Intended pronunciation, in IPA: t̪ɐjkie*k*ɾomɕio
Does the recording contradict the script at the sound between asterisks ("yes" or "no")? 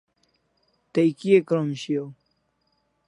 no